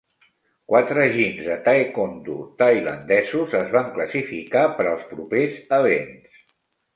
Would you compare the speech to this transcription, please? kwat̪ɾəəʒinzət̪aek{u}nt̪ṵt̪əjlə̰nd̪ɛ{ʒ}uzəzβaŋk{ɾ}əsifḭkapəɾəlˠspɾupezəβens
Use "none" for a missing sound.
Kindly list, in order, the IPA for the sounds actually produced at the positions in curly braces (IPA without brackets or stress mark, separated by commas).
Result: o, z, l